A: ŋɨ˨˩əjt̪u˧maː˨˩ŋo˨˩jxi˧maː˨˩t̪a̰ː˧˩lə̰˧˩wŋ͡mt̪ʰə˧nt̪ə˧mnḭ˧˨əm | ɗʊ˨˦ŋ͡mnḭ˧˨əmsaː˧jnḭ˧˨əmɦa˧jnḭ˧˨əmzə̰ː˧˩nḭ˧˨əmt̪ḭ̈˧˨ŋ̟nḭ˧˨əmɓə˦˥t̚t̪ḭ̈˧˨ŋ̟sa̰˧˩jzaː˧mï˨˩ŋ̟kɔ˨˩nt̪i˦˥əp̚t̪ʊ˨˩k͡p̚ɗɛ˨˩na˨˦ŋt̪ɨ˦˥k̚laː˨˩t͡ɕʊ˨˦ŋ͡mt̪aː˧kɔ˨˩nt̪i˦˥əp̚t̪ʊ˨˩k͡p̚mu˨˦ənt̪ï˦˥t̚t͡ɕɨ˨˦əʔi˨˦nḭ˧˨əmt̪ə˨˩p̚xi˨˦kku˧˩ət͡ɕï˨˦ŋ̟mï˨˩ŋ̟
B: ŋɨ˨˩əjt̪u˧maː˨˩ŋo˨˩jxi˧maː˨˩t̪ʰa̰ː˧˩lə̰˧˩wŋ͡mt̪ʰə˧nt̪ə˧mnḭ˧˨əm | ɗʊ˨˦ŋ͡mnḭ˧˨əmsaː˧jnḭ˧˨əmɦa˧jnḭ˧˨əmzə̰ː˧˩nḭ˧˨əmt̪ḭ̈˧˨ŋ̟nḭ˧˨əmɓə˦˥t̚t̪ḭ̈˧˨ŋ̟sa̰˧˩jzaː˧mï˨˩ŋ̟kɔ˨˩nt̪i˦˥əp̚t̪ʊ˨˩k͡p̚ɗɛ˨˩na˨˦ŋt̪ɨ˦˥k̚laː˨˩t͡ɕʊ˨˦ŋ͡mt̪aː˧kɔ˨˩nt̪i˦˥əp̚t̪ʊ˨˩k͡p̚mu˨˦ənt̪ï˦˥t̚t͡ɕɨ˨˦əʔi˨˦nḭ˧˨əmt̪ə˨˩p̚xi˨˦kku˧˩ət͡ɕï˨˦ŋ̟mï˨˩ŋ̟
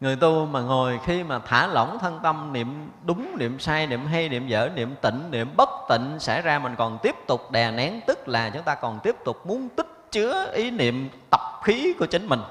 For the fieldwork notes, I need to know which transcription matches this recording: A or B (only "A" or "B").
B